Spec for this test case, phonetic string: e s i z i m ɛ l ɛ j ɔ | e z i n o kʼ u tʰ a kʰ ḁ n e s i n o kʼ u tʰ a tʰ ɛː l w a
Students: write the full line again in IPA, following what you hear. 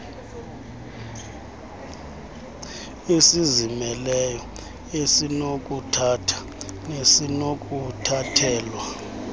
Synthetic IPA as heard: e s i z i m ɛ l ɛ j ɔ | e s i n o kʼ u tʰ a tʰ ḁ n e s i n o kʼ u tʰ a tʰ ɛː l w a